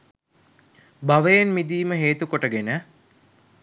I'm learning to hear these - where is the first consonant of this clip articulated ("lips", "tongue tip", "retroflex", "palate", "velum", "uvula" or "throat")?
lips